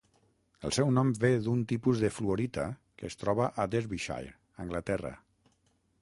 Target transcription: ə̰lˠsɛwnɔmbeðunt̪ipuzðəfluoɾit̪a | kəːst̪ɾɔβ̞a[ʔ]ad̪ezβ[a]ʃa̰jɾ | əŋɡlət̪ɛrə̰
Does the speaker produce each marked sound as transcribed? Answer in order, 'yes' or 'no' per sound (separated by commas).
yes, no